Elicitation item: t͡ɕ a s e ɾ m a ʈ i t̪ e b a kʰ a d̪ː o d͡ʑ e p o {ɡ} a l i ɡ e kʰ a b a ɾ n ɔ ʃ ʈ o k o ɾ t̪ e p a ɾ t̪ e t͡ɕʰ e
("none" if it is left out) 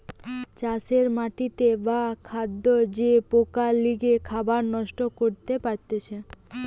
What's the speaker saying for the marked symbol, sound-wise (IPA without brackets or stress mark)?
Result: k